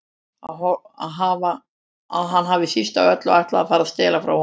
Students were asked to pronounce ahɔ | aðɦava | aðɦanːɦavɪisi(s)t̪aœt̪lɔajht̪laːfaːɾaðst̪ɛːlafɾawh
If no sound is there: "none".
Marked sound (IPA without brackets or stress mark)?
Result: s